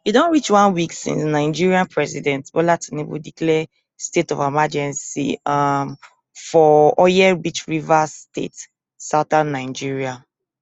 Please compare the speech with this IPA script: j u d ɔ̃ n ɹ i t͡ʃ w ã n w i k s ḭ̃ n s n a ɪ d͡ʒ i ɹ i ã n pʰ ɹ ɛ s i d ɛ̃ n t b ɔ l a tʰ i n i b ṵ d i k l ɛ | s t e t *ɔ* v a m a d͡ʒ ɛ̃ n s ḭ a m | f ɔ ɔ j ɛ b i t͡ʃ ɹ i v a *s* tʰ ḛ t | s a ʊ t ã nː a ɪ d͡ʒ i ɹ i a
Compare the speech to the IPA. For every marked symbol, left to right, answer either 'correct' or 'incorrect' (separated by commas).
correct, correct